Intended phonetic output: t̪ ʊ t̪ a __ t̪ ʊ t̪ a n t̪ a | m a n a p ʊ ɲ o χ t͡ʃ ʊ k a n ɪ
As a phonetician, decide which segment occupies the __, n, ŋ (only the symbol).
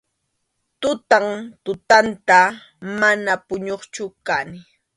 ŋ